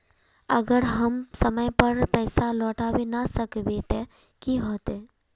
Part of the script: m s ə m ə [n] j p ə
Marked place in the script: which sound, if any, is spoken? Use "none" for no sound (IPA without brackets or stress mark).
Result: none